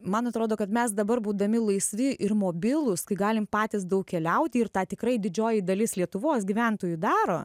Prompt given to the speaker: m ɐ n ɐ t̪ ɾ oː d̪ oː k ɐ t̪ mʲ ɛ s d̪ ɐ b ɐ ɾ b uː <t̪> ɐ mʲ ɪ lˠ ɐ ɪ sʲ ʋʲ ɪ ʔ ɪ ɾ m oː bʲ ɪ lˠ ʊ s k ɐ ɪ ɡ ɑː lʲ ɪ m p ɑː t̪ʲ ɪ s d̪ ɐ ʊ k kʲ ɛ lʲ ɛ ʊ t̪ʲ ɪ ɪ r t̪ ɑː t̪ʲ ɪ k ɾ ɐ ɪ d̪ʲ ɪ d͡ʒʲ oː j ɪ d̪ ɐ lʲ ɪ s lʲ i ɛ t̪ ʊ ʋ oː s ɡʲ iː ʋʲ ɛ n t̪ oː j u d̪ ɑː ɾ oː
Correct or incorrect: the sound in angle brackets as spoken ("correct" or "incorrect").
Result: incorrect